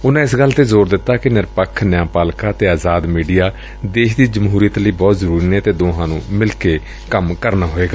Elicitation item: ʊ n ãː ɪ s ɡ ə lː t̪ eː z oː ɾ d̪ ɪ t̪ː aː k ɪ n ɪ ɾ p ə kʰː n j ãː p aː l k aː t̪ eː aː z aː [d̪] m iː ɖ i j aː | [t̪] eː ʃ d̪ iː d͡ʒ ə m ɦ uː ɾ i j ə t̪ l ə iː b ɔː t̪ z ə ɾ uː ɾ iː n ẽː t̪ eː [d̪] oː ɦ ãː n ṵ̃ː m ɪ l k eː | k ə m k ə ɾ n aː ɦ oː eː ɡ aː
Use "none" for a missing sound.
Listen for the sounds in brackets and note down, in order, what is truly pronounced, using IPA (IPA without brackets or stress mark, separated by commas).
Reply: d̪, d̪, d̪